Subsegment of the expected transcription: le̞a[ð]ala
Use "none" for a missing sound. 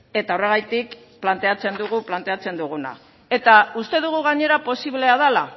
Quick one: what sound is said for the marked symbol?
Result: ð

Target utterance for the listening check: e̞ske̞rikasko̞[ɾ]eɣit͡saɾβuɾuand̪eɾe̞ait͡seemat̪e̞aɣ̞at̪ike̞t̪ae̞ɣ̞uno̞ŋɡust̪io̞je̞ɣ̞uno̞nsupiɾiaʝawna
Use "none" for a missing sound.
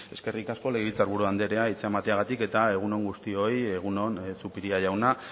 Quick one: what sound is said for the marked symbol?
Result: l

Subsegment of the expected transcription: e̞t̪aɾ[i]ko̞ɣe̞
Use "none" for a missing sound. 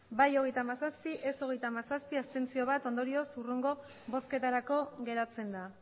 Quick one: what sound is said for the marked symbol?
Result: a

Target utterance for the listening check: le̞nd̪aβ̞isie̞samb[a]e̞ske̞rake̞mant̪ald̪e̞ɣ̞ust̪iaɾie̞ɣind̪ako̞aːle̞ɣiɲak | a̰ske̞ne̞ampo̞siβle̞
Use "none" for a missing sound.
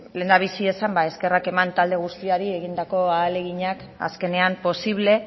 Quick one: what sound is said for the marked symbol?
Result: a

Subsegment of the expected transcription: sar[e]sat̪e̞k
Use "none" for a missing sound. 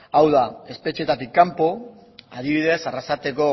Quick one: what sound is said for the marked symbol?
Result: a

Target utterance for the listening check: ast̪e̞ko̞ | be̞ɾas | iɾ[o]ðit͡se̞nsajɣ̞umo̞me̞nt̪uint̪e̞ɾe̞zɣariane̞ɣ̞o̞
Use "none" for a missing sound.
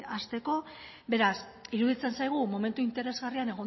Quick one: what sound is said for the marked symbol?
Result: u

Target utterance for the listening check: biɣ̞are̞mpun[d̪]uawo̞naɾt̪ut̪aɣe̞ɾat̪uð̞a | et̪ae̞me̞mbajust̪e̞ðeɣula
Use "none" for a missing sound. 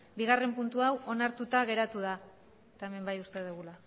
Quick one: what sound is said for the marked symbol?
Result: t̪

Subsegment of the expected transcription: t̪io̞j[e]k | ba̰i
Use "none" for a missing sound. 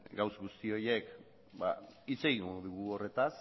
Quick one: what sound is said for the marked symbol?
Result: e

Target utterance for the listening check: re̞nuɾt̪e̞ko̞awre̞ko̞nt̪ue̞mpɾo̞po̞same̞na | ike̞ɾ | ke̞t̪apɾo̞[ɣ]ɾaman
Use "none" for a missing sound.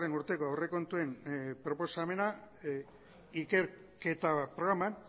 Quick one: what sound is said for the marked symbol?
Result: ɣ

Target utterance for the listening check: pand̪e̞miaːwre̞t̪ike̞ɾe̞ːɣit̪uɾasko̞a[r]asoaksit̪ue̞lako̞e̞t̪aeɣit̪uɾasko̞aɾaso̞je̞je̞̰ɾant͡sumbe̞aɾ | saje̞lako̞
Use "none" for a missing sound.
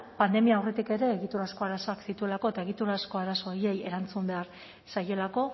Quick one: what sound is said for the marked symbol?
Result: ɾ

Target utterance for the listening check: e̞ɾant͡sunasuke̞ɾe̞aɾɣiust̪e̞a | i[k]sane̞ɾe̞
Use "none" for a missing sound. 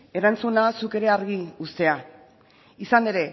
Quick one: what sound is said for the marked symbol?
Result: none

